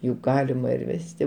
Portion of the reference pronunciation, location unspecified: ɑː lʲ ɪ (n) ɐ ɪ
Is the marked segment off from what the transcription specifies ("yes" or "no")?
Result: yes